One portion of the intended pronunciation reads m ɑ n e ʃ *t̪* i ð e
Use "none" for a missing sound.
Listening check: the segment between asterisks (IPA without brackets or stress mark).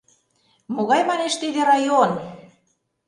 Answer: t̪